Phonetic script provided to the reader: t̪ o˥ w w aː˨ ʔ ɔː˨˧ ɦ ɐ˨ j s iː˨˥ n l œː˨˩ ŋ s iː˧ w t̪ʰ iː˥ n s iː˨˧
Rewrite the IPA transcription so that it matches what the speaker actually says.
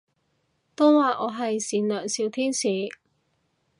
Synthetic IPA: t̪ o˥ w w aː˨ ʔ ɔː˨˧ ɦ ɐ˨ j s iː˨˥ n l œː˨˩ ŋ s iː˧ w t̪ʰ iː˥ n s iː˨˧